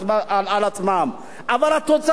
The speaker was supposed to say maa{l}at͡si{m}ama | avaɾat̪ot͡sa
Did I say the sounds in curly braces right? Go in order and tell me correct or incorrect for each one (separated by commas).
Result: correct, correct